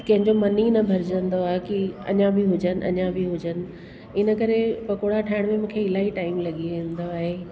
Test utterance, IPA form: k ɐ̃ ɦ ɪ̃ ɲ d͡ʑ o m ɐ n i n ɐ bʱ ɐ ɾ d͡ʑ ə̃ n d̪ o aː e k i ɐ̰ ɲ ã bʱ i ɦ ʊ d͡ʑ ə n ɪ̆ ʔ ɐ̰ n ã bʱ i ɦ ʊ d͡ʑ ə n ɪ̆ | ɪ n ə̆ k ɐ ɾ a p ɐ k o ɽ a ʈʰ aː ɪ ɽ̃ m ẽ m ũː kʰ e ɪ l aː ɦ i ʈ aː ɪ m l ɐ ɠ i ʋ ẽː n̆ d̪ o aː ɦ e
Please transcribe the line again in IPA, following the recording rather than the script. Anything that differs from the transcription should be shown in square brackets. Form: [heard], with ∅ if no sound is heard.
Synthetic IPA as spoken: k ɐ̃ ɦ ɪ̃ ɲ d͡ʑ o m ɐ n i n ɐ bʱ ɐ ɾ d͡ʑ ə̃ n d̪ o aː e k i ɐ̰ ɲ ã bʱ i ɦ ʊ d͡ʑ ə n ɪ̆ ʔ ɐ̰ [ɲ] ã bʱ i ɦ ʊ d͡ʑ ə n ɪ̆ | ɪ n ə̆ k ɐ ɾ [e] p ɐ k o ɽ a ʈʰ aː ɪ ɽ̃ m ẽ m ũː kʰ e ɪ l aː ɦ i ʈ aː ɪ m l ɐ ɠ i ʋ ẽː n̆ d̪ o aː ɦ e